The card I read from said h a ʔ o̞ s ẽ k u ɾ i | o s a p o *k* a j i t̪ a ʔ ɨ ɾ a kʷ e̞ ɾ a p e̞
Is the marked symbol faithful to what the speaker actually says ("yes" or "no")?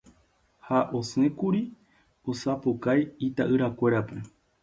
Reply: yes